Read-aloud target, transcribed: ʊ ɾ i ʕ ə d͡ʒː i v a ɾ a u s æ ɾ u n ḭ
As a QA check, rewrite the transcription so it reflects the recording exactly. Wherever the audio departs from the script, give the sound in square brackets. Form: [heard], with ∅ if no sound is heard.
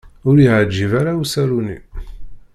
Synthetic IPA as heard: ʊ ɾ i ʕ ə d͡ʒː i v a ɾ a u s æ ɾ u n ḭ